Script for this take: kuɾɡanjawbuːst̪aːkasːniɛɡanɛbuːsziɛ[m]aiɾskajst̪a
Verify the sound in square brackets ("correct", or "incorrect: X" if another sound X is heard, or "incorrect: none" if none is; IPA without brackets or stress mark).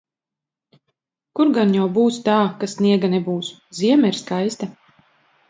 correct